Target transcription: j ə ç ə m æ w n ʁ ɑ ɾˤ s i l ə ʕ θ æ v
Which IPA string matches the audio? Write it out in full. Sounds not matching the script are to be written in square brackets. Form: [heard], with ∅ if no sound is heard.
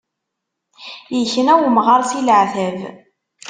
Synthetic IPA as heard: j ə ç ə [n] æ w [m] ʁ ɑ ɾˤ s i l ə ʕ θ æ v

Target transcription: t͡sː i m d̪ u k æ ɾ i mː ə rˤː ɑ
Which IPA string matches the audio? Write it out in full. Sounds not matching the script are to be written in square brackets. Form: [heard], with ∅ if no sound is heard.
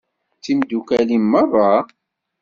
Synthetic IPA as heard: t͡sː i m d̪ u k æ [l] i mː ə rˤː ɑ

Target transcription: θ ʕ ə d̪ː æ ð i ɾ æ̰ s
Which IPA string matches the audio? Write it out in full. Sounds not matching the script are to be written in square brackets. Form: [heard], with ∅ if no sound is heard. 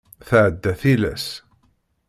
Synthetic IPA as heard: θ ʕ ə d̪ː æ [θ] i [l] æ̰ s

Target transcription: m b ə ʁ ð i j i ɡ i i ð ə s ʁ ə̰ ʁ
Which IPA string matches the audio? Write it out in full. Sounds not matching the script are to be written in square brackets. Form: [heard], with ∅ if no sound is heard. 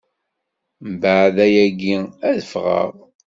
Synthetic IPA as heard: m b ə [ʕ] ð [æ] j [æ] ɡ i [æ] ð ə [f] ʁ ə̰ ʁ

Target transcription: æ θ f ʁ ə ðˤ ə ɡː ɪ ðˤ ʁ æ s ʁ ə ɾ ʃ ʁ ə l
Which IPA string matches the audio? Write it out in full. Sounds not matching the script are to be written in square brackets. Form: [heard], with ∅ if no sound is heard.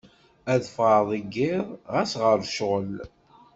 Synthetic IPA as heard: æ [ð] f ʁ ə ðˤ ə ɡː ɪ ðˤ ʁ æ s ʁ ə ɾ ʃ ʁ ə l

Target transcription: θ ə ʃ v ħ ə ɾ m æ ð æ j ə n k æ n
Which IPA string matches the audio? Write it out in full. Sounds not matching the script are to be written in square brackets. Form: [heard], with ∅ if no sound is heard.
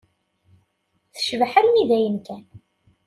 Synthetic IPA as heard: θ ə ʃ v ħ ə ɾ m [i] ð æ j ə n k æ n

